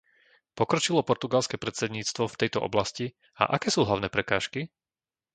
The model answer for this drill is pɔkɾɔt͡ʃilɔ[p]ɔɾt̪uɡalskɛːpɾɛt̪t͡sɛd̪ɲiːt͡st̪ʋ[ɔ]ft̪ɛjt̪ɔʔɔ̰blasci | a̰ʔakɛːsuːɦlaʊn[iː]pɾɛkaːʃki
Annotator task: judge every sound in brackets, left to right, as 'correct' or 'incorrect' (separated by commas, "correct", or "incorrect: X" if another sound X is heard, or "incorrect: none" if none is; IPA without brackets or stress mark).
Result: correct, correct, incorrect: ɛː